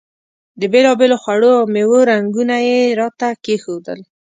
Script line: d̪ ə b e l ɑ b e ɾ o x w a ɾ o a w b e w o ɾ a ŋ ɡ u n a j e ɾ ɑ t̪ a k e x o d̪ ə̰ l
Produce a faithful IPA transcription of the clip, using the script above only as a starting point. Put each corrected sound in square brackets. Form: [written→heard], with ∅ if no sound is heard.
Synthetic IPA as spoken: d̪ ə b e l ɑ b e [ɾ→l] o x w a [ɾ→ɽ] o a w [b→m] e w o ɾ a ŋ ɡ u n a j e ɾ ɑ t̪ a k e x o d̪ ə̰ l